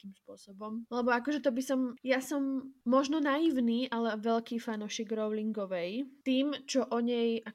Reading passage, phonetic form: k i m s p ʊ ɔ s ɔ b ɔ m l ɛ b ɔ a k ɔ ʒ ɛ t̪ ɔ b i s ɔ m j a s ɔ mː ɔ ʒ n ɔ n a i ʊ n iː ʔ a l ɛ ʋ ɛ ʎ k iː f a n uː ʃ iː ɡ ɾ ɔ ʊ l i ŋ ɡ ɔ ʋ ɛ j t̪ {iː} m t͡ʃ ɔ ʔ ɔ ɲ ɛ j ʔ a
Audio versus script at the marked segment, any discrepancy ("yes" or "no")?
no